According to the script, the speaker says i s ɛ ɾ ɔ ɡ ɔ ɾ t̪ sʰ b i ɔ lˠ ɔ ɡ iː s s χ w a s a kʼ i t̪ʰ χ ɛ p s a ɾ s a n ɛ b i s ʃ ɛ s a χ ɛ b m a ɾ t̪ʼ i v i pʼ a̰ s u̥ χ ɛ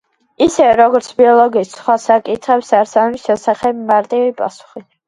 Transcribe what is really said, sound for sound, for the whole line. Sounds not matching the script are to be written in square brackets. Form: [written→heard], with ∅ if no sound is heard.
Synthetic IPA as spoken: i s ɛ ɾ ɔ ɡ ɔ ɾ t̪ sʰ b i ɔ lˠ ɔ ɡ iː s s χ w a s a kʼ i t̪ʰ χ ɛ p s a ɾ s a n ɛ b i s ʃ ɛ s a χ ɛ b m a ɾ t̪ʼ i v i pʼ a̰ s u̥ χ [ɛ→i]